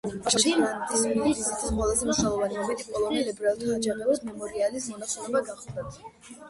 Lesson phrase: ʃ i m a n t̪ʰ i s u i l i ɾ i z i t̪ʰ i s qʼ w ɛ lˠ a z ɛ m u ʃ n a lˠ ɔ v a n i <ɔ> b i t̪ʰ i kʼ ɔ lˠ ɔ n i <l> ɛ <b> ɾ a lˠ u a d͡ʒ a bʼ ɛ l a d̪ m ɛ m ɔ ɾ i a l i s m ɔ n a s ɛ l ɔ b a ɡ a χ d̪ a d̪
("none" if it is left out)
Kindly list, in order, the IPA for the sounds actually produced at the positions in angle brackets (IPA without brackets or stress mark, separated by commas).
ɔ, l, b